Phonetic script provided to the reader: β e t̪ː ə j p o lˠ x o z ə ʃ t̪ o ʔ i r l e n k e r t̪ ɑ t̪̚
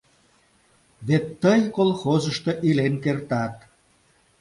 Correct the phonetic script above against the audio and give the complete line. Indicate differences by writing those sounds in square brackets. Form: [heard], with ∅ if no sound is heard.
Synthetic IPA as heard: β e t̪ː ə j [k] o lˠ x o z ə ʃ t̪ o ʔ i [∅] l e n k e r t̪ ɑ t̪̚